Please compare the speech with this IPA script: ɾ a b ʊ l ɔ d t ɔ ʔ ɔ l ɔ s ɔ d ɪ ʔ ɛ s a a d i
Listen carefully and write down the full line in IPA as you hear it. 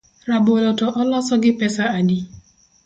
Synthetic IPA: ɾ a b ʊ l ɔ t ɔ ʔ ɔ l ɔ s ɔ ɡ ɪ p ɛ s a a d i